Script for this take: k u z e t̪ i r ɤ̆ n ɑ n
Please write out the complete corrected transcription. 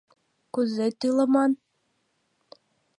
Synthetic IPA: k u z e t̪ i l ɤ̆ m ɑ n